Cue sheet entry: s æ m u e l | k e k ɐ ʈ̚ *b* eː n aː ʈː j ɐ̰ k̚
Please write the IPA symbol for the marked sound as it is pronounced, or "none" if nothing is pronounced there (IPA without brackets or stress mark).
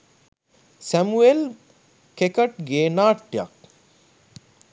ɡ